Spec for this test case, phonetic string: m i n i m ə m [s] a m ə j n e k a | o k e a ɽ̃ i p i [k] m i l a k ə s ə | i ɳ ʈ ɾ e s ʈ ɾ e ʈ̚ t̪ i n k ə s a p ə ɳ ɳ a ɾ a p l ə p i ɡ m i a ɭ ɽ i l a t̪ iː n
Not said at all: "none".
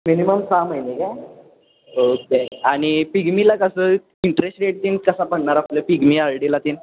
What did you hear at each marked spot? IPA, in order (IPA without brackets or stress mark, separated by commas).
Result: s, ɡ